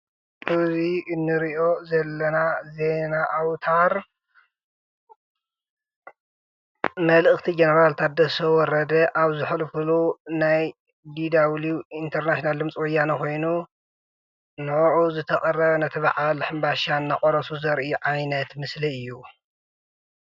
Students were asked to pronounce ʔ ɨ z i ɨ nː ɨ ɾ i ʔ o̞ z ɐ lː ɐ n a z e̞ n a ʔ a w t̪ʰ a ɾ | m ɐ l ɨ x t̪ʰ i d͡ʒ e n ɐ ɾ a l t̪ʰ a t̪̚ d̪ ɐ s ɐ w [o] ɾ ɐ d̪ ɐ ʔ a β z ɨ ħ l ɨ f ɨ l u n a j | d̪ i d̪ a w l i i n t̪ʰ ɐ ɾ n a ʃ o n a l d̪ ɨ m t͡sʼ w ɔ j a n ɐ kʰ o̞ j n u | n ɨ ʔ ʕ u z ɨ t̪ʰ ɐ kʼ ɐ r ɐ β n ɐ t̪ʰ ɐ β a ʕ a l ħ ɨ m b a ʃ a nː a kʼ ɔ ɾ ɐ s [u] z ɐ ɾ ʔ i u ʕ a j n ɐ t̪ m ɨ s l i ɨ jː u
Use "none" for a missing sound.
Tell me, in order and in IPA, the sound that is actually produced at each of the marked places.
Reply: ɔ, u

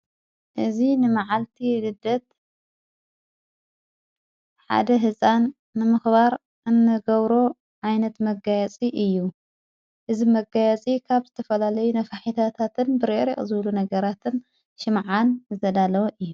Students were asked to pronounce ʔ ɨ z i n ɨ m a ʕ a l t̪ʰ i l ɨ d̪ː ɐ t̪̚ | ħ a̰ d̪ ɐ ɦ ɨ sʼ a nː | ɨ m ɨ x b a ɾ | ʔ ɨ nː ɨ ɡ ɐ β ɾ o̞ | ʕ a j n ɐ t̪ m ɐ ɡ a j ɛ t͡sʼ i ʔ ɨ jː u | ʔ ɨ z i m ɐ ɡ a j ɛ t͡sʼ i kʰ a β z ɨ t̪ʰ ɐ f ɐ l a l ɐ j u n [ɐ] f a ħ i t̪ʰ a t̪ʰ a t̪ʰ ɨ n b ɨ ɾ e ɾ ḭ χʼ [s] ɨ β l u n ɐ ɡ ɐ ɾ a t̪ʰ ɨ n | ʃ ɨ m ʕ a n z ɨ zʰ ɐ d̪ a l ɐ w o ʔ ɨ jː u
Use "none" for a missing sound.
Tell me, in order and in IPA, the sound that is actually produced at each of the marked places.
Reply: ɐ, z

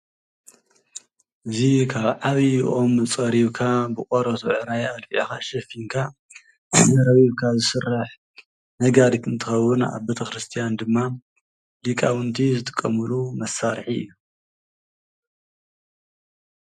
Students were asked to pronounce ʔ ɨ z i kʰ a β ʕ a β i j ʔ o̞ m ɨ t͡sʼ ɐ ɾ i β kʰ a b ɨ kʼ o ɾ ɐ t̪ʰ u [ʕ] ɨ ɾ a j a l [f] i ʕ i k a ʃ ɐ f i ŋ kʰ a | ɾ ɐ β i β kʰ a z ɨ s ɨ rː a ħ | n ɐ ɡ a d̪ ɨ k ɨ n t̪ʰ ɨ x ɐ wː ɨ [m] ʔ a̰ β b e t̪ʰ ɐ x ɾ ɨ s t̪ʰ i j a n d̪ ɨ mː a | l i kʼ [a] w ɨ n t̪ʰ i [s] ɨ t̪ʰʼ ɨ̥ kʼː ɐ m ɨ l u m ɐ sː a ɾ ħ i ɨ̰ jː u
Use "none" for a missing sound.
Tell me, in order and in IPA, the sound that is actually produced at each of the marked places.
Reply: ʕ, f, n, a, z

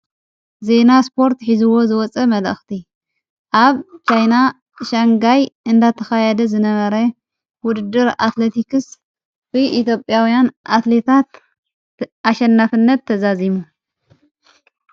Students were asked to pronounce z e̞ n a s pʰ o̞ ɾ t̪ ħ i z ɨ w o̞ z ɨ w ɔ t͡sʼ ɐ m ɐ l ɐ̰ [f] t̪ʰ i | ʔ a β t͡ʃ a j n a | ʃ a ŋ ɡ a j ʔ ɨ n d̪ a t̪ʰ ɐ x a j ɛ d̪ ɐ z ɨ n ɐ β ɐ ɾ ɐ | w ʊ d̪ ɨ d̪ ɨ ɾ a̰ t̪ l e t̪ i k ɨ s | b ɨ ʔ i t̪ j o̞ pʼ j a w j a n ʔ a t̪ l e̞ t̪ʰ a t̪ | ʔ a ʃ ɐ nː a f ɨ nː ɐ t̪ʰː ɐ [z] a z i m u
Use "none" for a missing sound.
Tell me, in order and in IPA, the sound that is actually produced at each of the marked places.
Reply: x, z

